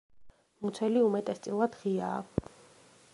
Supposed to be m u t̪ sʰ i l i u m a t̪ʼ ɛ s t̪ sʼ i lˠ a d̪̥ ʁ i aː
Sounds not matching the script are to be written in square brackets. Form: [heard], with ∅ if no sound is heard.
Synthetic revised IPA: m u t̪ sʰ [ɛ] l i u m [ɛ] t̪ʼ ɛ s t̪ sʼ i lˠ a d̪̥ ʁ i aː